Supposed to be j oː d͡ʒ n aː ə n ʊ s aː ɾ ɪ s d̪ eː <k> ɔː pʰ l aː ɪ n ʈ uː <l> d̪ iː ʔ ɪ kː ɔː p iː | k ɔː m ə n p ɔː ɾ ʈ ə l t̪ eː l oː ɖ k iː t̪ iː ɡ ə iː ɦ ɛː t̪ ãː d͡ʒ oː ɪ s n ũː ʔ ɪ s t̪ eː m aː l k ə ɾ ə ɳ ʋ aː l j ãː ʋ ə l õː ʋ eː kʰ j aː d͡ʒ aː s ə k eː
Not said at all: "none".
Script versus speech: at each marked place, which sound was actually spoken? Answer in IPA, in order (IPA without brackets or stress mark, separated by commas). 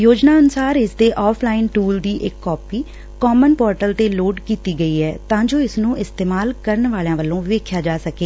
ʔ, l